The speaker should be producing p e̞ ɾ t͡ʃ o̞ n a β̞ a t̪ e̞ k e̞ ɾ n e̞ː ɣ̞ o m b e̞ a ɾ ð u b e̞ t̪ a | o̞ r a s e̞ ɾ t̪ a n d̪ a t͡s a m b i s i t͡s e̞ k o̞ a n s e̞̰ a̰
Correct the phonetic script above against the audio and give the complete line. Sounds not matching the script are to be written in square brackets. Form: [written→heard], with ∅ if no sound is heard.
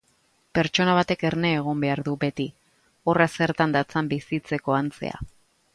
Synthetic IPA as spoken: p e̞ ɾ t͡ʃ o̞ n a β̞ a t̪ e̞ k e̞ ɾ n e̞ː ɣ̞ o m b e̞ a ɾ ð u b e̞ t̪ [a→i] | o̞ r a s e̞ ɾ t̪ a n d̪ a t͡s a m b i s i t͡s e̞ k o̞ a n [s→t͡s] e̞̰ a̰